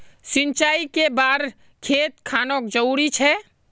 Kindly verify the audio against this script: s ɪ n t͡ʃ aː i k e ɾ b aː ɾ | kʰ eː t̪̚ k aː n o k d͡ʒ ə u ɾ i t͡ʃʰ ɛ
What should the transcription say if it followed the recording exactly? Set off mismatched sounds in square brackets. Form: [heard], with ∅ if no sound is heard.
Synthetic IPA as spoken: s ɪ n t͡ʃ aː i k e [∅] b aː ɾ | kʰ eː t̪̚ [kʰ] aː n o k d͡ʒ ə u ɾ i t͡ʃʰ ɛ